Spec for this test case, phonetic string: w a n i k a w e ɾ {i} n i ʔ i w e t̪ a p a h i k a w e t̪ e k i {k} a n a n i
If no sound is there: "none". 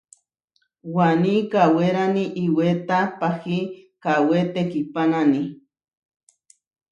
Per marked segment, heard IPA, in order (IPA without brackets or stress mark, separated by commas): a, p